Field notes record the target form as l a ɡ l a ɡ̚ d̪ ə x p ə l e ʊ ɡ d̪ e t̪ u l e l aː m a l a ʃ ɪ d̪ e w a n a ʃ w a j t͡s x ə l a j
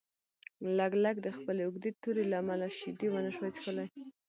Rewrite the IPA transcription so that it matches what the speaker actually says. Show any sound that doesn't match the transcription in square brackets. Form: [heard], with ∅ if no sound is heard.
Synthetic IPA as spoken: l a ɡ l a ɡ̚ d̪ ə x p ə l e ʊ ɡ d̪ e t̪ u [ɾ] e l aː m a l a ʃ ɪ d̪ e w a n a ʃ w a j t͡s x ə l a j